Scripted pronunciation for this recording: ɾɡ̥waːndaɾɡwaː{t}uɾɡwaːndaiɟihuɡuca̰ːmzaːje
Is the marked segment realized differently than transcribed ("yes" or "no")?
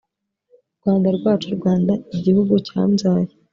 yes